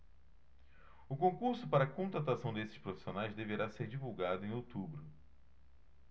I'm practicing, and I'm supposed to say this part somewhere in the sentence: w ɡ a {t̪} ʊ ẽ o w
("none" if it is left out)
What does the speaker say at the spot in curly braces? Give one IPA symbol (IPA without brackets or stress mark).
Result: d̪